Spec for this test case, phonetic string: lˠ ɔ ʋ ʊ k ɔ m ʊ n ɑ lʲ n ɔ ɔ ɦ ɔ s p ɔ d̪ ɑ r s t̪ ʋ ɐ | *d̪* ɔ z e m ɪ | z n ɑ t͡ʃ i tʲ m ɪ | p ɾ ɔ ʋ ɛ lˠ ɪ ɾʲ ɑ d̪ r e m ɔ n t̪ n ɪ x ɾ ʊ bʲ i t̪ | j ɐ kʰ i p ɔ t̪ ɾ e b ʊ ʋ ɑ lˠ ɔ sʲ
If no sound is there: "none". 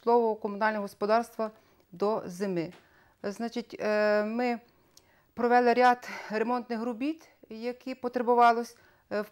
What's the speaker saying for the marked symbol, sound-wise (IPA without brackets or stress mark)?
d̪